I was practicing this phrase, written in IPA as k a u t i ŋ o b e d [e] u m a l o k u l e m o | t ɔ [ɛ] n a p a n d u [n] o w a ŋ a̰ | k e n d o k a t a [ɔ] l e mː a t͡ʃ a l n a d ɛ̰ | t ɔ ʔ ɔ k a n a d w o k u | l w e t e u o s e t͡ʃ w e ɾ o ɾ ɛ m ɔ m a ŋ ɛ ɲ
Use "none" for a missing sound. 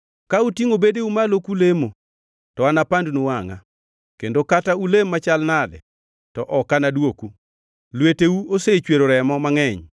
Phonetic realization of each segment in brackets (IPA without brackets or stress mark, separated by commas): e, a, n, u